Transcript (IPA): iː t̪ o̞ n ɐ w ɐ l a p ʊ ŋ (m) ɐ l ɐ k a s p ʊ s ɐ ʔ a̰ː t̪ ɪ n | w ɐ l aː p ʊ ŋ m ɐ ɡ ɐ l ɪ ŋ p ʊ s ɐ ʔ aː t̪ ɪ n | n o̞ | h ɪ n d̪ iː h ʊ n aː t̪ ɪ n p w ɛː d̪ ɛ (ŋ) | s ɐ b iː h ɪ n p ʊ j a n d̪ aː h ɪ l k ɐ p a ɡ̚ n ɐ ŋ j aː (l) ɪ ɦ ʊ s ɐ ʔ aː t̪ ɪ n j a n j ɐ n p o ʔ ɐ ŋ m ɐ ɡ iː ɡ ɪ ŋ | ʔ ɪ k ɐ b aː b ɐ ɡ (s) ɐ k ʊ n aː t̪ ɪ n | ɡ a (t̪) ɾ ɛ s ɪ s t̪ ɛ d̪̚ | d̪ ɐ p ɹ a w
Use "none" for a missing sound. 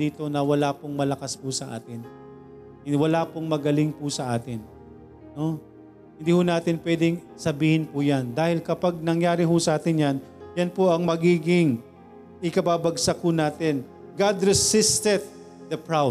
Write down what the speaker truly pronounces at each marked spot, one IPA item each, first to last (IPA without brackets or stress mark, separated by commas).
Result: m, ŋ, ɾ, s, d̪